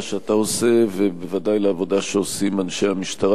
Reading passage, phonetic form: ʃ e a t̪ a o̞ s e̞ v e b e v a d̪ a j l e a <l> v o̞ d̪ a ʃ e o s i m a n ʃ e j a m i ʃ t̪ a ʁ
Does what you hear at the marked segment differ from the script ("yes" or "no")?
yes